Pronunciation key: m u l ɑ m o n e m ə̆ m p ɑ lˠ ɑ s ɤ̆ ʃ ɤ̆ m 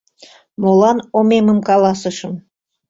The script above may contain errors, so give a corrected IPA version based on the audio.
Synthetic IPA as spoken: m o l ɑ n o m e m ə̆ m k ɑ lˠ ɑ s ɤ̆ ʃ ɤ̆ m